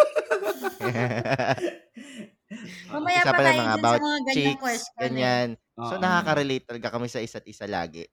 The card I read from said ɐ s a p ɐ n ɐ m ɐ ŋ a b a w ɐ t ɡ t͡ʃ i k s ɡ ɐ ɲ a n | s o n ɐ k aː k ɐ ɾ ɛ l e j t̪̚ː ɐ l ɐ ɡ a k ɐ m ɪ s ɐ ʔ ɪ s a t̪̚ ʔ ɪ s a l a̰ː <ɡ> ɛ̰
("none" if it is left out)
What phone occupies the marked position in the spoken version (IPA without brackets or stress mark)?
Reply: ɡ